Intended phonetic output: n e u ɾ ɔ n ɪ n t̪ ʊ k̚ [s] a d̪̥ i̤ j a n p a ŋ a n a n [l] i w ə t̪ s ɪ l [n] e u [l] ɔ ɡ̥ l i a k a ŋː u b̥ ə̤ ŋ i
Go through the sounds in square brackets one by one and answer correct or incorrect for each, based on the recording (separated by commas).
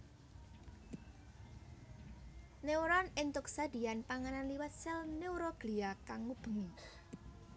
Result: correct, correct, correct, incorrect